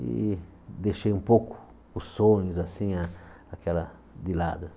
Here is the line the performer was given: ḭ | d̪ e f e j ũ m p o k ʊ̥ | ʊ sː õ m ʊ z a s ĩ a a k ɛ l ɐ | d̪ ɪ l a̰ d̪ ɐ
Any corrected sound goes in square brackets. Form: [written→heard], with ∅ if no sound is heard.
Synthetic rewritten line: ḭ | d̪ e [f→ʃ] e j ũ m p o k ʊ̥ | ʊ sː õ [m→ɲ] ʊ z a s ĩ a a k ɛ l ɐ | d̪ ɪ l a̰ d̪ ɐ